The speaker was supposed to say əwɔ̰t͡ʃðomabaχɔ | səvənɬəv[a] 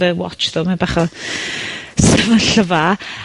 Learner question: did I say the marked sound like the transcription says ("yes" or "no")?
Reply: yes